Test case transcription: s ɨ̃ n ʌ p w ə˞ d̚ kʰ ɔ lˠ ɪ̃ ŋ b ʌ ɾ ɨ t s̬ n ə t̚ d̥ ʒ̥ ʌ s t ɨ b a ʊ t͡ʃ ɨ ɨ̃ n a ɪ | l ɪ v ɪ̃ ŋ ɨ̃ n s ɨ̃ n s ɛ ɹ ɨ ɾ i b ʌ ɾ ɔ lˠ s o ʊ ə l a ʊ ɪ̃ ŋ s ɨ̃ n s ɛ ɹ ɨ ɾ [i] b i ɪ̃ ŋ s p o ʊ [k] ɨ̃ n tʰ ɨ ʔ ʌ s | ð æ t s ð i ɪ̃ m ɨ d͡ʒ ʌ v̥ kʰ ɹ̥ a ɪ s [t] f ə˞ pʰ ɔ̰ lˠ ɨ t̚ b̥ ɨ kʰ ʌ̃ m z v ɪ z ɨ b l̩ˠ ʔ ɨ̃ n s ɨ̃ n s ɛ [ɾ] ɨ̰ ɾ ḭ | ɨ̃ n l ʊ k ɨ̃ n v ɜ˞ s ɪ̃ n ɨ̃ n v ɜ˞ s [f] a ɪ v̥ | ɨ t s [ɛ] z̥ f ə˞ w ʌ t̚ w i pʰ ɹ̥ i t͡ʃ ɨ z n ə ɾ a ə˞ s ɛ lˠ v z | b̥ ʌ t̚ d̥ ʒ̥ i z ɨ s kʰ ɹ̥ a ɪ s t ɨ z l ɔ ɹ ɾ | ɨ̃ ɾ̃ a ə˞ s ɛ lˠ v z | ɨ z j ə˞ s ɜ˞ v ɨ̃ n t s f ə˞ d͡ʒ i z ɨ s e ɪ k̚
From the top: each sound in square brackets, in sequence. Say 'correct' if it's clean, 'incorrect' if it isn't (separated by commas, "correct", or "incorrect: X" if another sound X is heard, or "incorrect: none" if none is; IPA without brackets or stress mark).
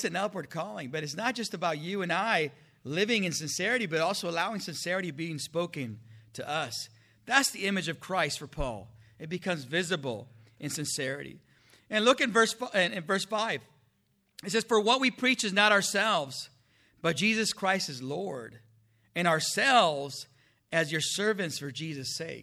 correct, correct, correct, incorrect: ɹ, correct, correct